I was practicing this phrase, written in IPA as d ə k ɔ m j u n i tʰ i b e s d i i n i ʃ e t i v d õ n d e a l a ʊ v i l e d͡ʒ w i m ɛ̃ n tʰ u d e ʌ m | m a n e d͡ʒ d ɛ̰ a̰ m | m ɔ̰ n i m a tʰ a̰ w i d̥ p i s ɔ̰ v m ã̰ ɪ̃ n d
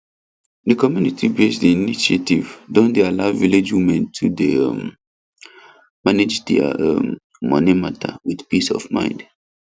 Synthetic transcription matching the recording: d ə k ɔ m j u n i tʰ i b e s d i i n i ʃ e t i v d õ n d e a l a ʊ v i l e d͡ʒ w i m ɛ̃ n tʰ u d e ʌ m | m a n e d͡ʒ d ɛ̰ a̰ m | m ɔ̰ n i m a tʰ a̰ w i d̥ p i s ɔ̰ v m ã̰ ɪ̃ n d